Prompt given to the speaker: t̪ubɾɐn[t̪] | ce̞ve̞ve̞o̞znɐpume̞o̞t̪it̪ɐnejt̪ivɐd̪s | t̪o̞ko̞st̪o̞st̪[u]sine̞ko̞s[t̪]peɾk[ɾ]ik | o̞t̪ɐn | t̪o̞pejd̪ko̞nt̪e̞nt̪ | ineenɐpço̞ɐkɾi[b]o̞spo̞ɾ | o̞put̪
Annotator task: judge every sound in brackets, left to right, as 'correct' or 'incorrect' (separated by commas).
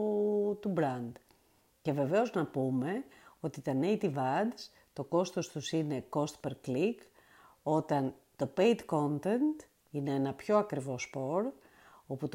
incorrect, correct, correct, incorrect, incorrect